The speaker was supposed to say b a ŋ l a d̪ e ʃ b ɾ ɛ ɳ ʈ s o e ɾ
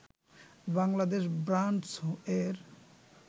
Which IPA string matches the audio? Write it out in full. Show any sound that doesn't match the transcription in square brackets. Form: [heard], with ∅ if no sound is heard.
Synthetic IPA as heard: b a ŋ l a d̪ e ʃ b ɾ [a] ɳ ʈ s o e ɾ